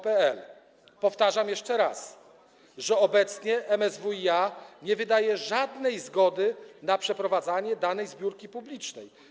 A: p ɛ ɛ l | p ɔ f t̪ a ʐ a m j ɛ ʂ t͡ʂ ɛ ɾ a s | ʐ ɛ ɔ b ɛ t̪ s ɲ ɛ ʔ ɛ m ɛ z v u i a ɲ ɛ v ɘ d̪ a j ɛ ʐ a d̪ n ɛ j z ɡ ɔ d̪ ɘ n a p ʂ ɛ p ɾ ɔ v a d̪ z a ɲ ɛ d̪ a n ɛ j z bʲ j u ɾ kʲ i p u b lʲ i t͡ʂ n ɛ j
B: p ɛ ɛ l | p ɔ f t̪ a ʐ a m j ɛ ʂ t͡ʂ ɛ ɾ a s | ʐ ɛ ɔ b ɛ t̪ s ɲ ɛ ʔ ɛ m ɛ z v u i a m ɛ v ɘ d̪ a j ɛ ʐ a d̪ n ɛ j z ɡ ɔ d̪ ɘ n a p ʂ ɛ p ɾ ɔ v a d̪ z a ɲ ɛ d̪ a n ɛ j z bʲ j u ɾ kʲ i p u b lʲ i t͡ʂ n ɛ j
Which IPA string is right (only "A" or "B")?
A